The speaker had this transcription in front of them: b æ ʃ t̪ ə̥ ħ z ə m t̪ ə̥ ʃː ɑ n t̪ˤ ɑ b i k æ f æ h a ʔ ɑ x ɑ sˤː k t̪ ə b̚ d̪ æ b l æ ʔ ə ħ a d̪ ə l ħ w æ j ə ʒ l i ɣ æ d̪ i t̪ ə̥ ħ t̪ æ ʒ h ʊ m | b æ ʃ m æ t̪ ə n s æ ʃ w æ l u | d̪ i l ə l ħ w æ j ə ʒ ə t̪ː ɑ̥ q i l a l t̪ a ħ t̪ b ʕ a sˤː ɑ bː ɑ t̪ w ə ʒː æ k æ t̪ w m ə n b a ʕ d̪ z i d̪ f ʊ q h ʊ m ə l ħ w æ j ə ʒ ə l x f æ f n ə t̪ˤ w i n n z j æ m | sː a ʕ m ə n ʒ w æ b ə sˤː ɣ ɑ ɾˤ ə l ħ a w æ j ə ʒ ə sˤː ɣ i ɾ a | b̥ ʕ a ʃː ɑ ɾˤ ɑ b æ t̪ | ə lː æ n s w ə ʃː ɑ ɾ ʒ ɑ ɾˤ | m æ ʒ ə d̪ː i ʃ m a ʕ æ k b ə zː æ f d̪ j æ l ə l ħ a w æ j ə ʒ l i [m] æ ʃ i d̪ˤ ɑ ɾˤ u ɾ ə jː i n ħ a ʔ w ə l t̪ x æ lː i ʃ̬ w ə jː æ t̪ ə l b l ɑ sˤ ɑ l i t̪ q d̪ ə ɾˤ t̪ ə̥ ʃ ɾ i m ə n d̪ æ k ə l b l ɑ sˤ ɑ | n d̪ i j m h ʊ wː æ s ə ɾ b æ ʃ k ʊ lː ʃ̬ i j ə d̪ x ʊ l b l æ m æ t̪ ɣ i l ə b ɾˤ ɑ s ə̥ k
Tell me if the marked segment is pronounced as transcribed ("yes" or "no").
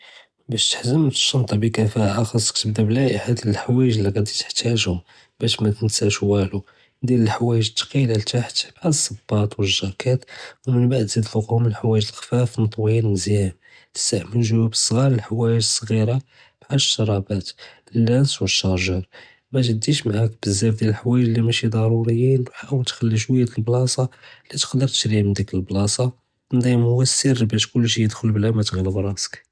yes